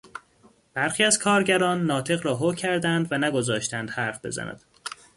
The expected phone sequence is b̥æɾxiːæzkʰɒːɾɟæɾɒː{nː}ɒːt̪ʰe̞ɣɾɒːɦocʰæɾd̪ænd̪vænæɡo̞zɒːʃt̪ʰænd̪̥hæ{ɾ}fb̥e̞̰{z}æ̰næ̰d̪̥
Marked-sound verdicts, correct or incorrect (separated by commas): correct, correct, correct